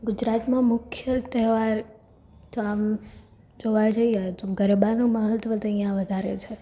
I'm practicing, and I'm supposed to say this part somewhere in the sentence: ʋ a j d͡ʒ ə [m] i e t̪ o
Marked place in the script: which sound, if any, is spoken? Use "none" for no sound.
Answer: none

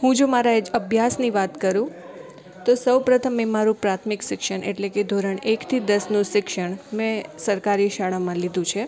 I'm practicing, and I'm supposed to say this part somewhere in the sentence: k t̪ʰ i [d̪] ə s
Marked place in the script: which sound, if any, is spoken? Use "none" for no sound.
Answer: d̪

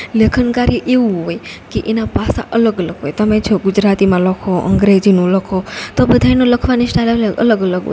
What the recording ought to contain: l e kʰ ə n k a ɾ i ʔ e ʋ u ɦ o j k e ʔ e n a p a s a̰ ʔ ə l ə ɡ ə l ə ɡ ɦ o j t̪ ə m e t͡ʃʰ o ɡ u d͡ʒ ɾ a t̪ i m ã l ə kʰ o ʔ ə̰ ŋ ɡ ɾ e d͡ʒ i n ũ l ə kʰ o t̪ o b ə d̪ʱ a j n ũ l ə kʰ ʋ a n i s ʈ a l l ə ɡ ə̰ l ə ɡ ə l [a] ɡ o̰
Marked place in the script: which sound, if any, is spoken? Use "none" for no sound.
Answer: ə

